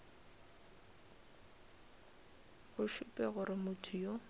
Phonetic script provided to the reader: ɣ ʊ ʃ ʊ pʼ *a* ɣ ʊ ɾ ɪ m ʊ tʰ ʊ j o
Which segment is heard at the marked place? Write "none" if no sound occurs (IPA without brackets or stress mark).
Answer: ɛ